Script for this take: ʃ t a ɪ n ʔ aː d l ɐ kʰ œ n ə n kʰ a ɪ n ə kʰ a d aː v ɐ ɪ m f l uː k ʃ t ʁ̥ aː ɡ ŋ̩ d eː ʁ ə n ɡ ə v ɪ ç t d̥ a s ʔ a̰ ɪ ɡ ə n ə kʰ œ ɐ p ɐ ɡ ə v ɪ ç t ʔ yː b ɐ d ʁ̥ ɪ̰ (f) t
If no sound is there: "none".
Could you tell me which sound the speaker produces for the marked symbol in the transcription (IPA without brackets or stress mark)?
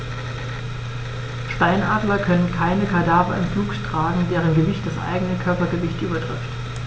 f